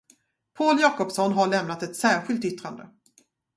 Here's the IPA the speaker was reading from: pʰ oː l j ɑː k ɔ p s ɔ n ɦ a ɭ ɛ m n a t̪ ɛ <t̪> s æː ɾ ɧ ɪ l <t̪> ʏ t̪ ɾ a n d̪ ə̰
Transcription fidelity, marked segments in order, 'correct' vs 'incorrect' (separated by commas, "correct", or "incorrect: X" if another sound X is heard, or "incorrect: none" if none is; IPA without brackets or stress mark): correct, correct